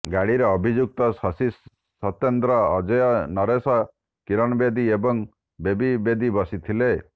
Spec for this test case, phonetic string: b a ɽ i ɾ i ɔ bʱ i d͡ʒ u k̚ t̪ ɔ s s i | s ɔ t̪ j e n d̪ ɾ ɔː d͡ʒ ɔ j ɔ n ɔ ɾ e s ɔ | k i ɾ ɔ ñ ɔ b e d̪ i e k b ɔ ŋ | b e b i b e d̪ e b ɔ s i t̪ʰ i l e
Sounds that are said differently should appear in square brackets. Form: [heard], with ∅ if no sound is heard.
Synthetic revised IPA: [ɡ] a ɽ i ɾ [e] ɔ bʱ i d͡ʒ u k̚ t̪ ɔ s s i | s ɔ t̪ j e n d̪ ɾ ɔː d͡ʒ ɔ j ɔ n ɔ ɾ e s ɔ | k i ɾ ɔ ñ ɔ b e d̪ i e [∅] b ɔ ŋ | b e b i b e d̪ [i] b ɔ s i t̪ʰ i l e